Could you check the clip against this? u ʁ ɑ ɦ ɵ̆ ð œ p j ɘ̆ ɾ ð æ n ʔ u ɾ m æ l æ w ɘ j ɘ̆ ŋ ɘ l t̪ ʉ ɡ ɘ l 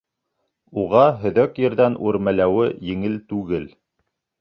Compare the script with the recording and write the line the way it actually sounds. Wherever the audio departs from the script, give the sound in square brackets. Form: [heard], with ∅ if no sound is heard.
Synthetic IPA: u ʁ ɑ ɦ ɵ̆ ð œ [k] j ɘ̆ ɾ ð æ n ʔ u ɾ m æ l æ w ɘ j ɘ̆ ŋ ɘ l t̪ ʉ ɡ ɘ l